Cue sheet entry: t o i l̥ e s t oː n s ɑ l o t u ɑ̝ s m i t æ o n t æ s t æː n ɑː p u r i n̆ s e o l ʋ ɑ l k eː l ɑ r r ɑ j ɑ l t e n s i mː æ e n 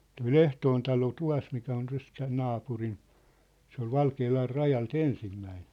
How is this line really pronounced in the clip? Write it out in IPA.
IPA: t o i l̥ e h t oː n t ɑ l o t u ɑ̝ s m i k æ o n t æ s t æː n ɑː p u r i n̆ s e o l ʋ ɑ l k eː l ɑ r r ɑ j ɑ l t e n s i mː æ i n